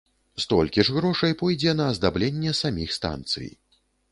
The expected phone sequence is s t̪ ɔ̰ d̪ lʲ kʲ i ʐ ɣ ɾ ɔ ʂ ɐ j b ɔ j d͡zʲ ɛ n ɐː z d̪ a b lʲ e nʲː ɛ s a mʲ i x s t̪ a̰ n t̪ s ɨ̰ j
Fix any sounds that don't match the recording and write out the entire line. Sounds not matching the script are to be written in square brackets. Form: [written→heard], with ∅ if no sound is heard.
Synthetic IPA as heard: s t̪ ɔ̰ [d̪→∅] lʲ kʲ i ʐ ɣ ɾ ɔ ʂ ɐ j [b→p] ɔ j d͡zʲ ɛ n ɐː z d̪ a b lʲ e nʲː ɛ s a mʲ i x s t̪ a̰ n t̪ s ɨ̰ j